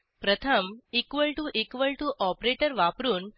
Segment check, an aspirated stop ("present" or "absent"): present